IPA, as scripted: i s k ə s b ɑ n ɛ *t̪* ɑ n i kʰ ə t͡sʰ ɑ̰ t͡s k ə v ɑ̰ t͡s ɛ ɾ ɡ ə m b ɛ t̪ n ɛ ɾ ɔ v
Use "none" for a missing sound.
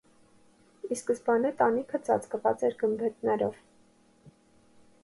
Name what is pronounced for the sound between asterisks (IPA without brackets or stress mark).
t̪